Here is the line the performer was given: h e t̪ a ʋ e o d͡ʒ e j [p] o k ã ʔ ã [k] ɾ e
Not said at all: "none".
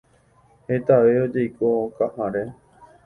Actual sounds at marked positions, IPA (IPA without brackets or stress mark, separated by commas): k, none